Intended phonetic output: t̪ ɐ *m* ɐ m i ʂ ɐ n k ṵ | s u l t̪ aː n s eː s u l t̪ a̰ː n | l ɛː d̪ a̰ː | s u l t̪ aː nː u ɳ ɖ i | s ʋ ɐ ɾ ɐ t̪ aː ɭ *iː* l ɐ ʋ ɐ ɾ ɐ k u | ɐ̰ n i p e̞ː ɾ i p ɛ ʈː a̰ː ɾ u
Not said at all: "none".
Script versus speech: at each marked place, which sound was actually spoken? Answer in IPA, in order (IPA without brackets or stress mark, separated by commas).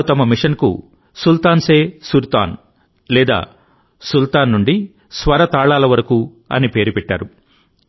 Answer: m, aː